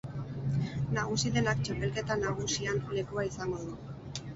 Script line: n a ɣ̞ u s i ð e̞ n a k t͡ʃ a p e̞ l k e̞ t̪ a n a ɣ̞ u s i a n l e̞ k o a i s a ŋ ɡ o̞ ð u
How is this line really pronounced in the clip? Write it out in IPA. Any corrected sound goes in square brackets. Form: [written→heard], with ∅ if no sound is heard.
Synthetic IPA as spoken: n a ɣ̞ u s i ð e̞ n a k t͡ʃ a p e̞ l k e̞ t̪ a n a ɣ̞ u s i a n l e̞ k [o→u] a i s a ŋ ɡ o̞ ð u